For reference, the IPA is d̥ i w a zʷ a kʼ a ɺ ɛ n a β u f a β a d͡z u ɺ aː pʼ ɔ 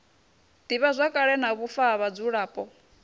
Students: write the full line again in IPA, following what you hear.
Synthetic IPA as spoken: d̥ i β a zʷ a kʼ a ɺ ɛ n a β u f a β a d͡z u ɺ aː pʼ ɔ